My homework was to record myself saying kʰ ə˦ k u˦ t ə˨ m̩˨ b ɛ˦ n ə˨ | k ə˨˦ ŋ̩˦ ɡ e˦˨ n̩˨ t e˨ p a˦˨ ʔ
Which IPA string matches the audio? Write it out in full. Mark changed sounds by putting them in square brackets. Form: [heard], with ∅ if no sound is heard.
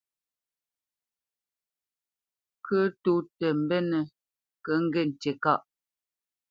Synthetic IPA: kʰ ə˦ [t] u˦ t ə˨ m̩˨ b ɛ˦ n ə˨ | k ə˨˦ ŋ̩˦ ɡ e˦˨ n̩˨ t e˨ [k] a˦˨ ʔ